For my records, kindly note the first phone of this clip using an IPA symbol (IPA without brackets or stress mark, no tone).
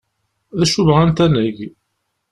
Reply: ð